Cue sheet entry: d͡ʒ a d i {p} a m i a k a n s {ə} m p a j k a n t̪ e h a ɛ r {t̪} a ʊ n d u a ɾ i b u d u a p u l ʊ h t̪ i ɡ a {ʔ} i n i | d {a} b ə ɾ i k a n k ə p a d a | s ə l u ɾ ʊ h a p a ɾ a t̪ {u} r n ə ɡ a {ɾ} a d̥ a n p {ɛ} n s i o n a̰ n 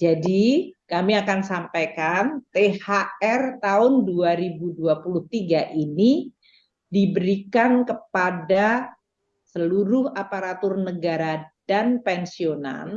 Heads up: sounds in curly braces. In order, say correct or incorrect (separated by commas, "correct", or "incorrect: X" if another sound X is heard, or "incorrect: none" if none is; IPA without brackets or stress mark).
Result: incorrect: k, incorrect: a, correct, correct, incorrect: i, incorrect: ʊ, correct, correct